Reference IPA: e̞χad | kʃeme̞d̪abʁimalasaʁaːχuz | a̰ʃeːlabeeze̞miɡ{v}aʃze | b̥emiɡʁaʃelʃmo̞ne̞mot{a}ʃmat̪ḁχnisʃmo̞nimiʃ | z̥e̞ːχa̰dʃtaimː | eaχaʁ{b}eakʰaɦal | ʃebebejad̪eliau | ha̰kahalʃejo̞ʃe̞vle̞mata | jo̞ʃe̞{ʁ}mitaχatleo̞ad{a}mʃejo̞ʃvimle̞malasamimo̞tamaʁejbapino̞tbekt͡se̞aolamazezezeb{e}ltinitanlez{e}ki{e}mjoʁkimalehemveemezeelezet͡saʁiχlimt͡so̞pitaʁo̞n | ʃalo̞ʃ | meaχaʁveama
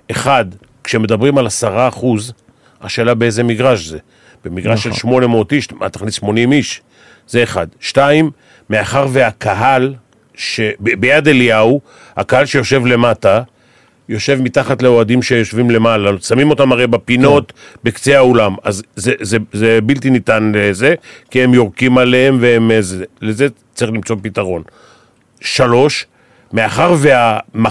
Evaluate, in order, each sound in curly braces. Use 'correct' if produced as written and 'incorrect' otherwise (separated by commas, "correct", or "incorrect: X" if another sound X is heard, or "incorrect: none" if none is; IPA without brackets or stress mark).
incorrect: ʁ, incorrect: i, incorrect: v, incorrect: v, incorrect: i, incorrect: i, correct, correct